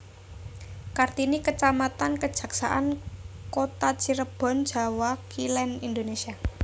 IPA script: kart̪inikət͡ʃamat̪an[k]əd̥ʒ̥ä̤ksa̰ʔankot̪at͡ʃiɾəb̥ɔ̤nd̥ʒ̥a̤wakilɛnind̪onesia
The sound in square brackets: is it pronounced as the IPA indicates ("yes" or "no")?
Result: yes